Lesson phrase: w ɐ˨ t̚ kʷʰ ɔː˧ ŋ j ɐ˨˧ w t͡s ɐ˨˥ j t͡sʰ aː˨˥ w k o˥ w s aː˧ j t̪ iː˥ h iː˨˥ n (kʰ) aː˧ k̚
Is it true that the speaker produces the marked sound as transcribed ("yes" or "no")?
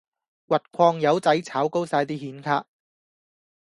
yes